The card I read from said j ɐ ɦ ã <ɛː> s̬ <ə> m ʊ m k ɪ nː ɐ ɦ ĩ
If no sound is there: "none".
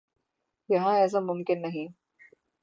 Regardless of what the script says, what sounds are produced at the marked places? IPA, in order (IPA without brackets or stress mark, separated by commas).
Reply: ɛː, a